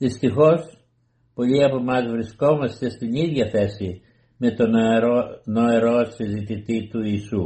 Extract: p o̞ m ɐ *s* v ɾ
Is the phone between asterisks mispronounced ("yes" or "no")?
yes